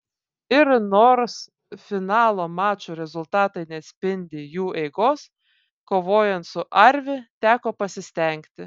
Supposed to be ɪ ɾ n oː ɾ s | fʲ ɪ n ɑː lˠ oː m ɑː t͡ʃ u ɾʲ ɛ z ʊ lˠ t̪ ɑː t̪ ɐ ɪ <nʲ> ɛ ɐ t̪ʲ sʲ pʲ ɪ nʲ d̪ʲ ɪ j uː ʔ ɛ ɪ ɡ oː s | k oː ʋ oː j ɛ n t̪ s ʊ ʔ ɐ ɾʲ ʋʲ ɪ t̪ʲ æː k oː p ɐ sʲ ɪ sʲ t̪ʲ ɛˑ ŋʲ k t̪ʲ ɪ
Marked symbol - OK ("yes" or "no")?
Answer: yes